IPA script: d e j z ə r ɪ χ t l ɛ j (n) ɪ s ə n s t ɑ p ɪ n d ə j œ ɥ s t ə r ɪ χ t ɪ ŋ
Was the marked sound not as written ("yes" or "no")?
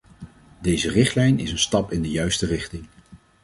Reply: no